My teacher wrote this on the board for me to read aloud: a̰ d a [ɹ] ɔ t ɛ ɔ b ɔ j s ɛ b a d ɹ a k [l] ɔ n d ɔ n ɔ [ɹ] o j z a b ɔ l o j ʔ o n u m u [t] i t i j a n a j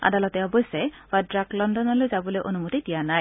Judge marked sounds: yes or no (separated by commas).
no, yes, no, yes